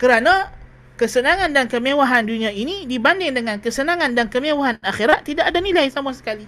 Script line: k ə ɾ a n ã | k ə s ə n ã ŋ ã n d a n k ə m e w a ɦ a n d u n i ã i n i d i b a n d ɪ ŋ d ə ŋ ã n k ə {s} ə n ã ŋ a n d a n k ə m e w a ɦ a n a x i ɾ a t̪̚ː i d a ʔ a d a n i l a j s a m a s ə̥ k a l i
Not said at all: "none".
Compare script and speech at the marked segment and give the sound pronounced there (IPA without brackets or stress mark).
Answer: s